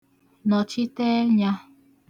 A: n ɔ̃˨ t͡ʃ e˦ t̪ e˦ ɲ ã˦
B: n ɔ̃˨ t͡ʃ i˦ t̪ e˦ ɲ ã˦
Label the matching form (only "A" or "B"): B